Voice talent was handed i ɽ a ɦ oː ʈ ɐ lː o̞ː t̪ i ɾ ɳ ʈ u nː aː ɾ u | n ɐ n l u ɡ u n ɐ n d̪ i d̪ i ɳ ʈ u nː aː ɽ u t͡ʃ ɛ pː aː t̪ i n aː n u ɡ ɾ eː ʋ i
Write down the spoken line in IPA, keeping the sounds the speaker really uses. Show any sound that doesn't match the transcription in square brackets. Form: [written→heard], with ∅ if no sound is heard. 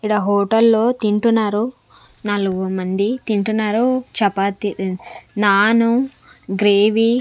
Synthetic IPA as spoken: i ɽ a ɦ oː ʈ ɐ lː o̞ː t̪ i [ɾ→∅] ɳ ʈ u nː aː ɾ u | n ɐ [n→∅] l u ɡ u [n→m] ɐ n d̪ i [d̪→t̪] i ɳ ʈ u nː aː [ɽ→ɾ] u t͡ʃ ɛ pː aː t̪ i n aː n u ɡ ɾ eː ʋ i